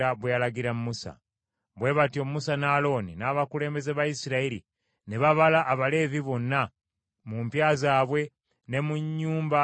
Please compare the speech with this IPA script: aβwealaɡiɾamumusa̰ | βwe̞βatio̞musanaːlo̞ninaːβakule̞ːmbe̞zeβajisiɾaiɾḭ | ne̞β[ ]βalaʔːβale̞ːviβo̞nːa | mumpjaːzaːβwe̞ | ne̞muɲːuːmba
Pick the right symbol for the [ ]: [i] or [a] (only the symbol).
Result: a